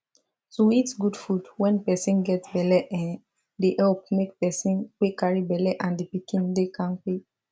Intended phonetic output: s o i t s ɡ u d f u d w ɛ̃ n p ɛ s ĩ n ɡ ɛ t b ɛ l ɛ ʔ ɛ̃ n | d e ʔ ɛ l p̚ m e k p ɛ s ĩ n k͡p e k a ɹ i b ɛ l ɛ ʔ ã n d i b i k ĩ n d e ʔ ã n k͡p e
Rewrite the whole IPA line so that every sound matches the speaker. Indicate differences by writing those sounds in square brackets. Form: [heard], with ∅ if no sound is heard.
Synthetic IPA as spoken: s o i t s ɡ u d f u d w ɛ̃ n p ɛ s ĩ n ɡ ɛ t b ɛ l ɛ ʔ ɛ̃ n | d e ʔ ɛ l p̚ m e k p ɛ s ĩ n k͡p e k a ɹ i b ɛ l ɛ ʔ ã n d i [p] i k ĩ n d e [k] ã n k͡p e